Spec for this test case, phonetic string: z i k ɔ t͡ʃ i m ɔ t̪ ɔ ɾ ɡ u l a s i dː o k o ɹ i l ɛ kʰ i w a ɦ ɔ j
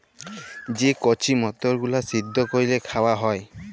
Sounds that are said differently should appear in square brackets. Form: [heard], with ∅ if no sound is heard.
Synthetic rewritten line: z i k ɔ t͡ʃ i m ɔ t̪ ɔ [ɹ] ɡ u l a s i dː [ɔ] k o ɹ i l ɛ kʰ [a] w a ɦ ɔ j